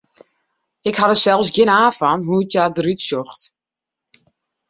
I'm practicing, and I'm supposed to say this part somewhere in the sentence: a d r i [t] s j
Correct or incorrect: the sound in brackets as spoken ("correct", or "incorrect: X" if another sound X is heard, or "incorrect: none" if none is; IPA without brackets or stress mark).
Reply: correct